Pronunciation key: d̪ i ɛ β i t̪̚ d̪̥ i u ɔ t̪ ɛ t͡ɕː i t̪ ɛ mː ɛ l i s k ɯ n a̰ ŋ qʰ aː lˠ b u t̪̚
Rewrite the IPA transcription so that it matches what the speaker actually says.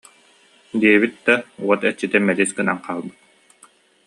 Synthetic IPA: d̪ i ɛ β i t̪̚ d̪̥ a u ɔ t̪ ɛ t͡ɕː i t̪ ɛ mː ɛ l i s k ɯ n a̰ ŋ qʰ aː lˠ b ɯ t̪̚